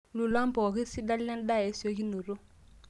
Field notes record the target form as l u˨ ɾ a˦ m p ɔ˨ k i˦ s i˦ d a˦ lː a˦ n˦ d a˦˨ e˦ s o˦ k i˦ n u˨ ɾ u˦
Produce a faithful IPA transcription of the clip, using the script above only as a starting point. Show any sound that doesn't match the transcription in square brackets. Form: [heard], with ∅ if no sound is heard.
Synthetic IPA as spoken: l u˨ [l] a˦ m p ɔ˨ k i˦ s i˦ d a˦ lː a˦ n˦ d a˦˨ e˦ s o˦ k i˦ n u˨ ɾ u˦